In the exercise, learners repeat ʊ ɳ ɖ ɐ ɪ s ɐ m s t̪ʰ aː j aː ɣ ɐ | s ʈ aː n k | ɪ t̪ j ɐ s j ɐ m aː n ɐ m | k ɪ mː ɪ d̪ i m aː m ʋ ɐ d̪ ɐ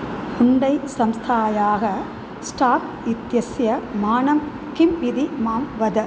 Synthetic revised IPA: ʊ ɳ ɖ ɐ ɪ s ɐ m s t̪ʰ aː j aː ɣ ɐ | s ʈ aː k | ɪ t̪ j ɐ s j ɐ m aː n ɐ m | k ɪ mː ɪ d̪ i m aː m ʋ ɐ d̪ ɐ